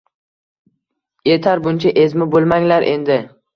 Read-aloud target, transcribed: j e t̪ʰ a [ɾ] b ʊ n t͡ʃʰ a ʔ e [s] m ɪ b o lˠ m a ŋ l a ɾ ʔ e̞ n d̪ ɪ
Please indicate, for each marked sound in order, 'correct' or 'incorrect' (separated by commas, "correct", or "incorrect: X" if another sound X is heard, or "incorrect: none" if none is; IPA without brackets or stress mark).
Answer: correct, incorrect: z